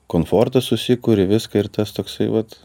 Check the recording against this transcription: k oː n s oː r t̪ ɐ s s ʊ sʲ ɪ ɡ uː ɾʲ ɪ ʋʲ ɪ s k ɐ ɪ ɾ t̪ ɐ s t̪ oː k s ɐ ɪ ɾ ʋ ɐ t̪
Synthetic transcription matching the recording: k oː n f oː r t̪ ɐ s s ʊ sʲ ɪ k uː ɾʲ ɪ ʋʲ ɪ s k ɐ ɪ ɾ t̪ ɐ s t̪ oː k s ɐ ɪ ʋ ɐ t̪